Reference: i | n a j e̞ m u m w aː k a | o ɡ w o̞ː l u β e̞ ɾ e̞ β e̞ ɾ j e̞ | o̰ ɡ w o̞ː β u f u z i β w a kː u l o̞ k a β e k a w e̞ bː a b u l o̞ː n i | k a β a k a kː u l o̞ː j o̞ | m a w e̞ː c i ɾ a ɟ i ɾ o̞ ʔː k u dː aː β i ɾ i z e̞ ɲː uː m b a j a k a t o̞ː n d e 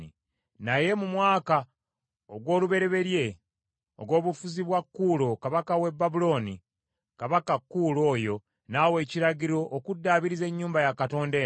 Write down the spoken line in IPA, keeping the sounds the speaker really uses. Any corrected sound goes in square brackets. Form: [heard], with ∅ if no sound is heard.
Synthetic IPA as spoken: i | n a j e̞ m u m w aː k a | o ɡ w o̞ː l u β e̞ ɾ e̞ β e̞ ɾ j e̞ | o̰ ɡ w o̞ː β u f u z i β w a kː u l o̞ k a β [a] k a w e̞ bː a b u l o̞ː n i | k a β a k a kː u l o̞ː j o̞ | [n] a w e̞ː c i ɾ a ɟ i ɾ o̞ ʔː k u dː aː β i ɾ i z e̞ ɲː uː m b a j a k a t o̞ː n d e